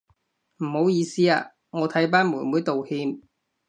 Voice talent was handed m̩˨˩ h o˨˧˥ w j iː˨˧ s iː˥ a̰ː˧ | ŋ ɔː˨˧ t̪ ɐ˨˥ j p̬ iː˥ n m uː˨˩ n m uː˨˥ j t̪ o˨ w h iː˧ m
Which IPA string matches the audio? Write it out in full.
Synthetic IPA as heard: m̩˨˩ h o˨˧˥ w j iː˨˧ s iː˥ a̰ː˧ | ŋ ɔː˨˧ t̪ʰ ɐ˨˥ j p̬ aː˥ n m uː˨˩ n m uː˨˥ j t̪ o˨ w h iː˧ m